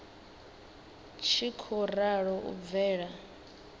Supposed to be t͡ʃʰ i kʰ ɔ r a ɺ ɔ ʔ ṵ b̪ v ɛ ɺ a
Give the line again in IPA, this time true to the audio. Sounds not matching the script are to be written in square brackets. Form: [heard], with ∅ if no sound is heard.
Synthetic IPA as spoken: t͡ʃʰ i kʰ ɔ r a ɺ ɔ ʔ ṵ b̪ v [ɛː] ɺ a